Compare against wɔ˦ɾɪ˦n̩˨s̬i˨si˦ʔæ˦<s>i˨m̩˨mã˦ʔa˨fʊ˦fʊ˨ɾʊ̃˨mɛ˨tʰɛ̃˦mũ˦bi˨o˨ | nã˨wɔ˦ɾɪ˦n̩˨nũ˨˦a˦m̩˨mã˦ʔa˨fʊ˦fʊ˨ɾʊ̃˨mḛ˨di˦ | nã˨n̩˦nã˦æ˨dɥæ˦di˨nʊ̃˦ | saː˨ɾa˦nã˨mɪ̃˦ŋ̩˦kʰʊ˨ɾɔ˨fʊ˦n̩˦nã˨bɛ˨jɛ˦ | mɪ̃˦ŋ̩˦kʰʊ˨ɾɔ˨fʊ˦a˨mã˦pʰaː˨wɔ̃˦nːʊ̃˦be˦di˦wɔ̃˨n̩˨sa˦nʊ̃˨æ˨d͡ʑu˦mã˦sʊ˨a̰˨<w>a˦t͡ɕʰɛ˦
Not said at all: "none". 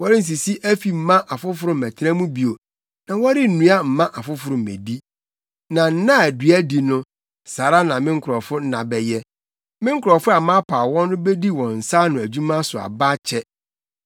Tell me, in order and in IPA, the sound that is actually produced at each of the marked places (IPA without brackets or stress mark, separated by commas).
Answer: f, b